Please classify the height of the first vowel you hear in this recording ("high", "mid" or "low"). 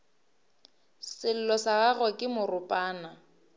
high